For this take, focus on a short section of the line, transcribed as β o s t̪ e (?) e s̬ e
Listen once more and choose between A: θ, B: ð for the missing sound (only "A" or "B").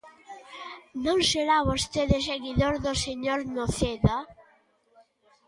B